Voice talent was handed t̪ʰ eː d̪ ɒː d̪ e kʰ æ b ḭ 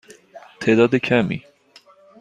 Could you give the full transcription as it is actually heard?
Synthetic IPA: t̪ʰ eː d̪ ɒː d̪ e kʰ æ m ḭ